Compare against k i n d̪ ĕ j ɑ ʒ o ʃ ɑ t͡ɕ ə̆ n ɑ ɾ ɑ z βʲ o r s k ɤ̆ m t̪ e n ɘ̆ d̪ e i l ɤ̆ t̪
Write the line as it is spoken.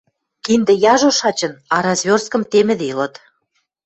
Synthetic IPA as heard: k i n d̪ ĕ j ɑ ʒ o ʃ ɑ t͡ɕ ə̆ n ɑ ɾ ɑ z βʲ o r s k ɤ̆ m t̪ e m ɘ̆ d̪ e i l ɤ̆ t̪